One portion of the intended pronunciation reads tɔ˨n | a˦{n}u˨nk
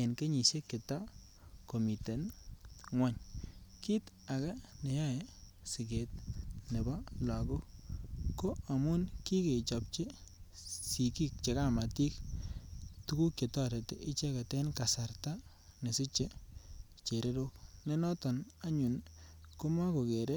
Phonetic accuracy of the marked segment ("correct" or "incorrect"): incorrect